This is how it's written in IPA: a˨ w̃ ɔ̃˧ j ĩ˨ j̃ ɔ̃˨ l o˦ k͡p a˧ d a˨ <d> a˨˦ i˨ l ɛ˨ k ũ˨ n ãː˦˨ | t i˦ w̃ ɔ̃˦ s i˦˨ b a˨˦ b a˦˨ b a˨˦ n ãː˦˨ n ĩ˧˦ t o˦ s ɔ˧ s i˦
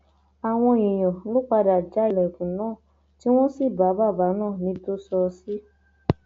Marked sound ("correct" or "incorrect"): incorrect